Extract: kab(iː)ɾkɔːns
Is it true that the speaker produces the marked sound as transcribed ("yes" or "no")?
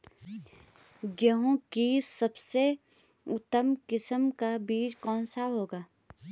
yes